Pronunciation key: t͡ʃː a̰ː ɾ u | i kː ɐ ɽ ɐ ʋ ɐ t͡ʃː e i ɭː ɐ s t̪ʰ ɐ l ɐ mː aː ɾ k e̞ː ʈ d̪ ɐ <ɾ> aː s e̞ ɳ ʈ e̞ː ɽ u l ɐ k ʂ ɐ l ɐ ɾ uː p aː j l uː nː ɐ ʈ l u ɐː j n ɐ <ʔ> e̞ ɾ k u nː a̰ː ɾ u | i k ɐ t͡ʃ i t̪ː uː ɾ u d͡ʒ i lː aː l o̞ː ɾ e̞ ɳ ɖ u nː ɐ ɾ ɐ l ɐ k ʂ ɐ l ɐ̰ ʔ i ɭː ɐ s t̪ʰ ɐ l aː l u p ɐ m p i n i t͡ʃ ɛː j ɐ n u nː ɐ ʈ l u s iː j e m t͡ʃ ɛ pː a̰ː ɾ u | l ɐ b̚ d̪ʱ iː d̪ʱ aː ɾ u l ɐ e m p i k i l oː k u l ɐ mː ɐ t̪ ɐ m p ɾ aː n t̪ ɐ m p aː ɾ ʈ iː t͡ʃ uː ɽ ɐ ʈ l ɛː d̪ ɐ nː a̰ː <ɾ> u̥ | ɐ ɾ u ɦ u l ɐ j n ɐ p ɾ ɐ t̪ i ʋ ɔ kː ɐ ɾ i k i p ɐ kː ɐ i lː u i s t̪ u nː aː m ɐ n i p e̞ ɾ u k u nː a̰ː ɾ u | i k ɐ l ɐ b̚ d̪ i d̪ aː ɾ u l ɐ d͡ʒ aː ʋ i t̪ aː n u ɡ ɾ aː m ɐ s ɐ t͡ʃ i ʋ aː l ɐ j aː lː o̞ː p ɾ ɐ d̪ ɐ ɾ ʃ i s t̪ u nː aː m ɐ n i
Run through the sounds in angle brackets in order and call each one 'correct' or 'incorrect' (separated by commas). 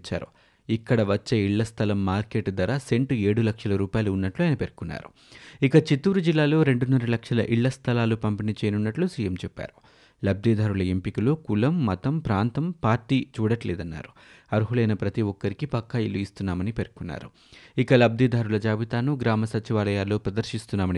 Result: correct, incorrect, correct